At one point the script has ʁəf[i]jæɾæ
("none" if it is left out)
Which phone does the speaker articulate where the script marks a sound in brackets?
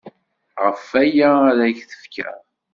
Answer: æ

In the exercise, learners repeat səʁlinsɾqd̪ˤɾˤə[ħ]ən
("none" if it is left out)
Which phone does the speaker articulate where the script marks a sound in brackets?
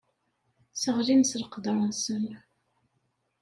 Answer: s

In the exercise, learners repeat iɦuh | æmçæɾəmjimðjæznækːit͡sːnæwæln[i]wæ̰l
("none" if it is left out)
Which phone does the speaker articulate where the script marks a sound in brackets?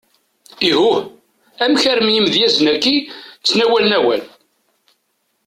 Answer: æ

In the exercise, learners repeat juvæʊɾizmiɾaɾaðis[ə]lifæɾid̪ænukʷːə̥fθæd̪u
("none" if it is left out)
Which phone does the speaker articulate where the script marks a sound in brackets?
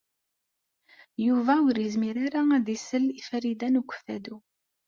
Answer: ə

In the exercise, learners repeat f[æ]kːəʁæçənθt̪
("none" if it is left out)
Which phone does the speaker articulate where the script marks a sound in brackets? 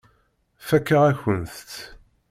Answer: æ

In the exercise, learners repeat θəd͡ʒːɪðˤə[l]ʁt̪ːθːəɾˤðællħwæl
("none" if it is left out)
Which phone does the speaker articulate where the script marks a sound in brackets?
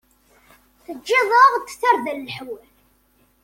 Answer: none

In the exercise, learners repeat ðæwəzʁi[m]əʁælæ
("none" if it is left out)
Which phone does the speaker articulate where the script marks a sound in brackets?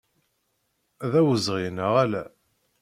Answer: n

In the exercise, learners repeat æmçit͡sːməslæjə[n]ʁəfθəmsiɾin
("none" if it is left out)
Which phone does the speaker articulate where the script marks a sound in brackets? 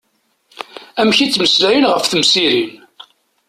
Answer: n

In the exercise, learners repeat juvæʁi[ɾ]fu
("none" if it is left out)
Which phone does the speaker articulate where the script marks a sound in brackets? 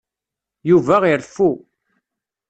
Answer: ɾ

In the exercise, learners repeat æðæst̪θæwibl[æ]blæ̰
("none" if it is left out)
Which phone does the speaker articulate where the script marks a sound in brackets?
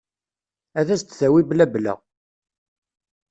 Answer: æ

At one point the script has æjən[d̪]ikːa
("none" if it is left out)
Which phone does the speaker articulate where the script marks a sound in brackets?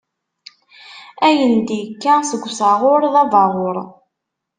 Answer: d̪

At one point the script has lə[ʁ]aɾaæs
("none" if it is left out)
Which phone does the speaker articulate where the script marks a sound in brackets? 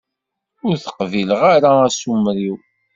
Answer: ʁ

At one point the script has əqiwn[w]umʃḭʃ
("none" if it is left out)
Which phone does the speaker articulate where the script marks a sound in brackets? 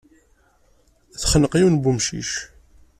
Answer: b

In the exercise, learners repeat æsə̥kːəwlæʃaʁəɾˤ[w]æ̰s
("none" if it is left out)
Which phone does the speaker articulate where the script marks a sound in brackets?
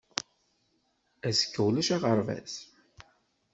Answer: v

